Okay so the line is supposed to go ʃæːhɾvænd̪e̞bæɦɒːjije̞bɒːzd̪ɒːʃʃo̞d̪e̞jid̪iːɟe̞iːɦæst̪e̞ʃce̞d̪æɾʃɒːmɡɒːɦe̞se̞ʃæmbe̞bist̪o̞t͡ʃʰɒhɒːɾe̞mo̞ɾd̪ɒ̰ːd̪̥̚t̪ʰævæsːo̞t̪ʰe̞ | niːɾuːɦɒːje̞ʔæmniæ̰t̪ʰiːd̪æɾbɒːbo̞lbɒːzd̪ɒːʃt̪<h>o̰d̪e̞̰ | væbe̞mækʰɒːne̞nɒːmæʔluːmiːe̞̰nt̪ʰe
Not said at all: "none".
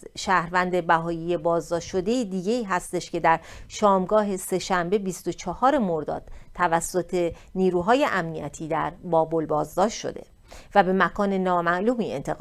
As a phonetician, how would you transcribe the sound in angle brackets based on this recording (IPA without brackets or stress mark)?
ʃ